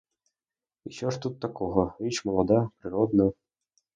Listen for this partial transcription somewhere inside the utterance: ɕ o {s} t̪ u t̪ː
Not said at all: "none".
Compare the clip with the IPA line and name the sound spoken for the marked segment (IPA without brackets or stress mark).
ʂ